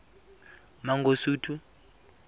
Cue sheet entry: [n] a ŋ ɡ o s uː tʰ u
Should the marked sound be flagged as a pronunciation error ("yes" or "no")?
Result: yes